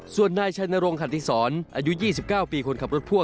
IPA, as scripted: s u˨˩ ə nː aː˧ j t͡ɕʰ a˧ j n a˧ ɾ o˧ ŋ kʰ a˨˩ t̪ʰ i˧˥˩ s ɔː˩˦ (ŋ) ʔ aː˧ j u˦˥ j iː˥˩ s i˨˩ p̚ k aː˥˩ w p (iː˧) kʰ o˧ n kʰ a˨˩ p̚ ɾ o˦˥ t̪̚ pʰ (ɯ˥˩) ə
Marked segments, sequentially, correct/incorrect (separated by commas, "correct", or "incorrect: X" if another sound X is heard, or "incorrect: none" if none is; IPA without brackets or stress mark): incorrect: n, correct, incorrect: u˥˩